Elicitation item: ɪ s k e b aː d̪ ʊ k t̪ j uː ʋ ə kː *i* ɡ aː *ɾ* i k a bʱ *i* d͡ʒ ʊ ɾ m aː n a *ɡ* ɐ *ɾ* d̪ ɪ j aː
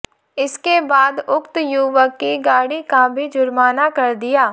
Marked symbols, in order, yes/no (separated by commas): yes, no, yes, no, yes